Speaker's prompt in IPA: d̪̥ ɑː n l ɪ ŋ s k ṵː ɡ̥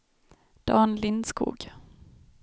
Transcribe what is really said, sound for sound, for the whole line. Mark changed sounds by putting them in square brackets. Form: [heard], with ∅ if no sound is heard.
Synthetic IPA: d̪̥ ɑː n l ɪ [n] s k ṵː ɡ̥